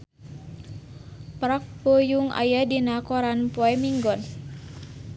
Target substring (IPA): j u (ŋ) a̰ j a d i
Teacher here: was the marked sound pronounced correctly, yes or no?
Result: yes